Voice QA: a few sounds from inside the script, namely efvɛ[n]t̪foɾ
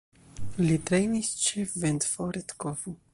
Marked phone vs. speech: correct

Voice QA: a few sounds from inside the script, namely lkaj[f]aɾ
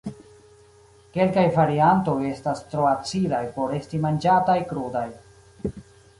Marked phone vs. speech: incorrect: v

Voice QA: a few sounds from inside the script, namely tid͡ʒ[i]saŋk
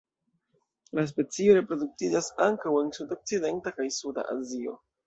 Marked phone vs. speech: incorrect: a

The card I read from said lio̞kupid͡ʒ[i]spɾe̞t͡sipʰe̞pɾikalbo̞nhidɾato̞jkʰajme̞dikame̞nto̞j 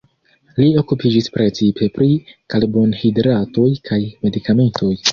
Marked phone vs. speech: correct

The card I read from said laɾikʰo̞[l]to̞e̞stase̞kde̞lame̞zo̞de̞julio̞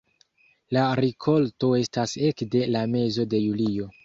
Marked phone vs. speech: correct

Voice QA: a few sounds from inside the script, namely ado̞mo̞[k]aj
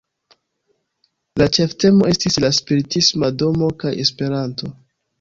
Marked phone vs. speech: correct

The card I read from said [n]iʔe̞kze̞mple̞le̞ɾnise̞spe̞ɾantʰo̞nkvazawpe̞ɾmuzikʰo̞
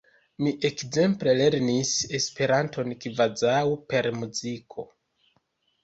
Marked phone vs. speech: incorrect: m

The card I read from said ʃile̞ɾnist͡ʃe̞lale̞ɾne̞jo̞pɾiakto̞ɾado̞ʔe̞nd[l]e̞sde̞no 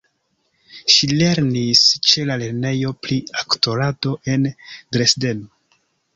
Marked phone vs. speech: incorrect: ɾ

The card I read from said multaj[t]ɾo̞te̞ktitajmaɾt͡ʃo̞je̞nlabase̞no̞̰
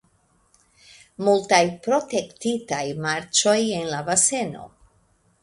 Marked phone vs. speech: incorrect: p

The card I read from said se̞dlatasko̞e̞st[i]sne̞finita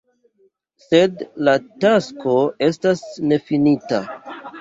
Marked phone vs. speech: incorrect: a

